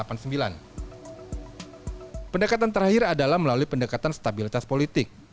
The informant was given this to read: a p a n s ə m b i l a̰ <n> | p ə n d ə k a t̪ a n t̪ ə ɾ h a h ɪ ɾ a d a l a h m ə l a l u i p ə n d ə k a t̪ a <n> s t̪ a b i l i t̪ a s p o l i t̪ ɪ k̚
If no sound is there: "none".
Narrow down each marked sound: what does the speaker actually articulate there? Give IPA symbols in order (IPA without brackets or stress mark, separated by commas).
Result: n, n